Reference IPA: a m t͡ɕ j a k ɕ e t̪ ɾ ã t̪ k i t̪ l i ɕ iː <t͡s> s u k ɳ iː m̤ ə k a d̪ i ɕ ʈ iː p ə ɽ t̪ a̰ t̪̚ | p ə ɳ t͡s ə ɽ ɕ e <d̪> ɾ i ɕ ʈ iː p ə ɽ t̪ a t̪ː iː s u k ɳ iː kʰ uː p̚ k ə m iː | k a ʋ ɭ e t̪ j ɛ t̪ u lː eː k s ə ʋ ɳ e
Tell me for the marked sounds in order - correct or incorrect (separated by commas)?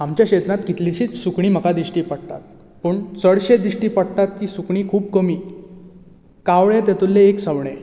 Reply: correct, correct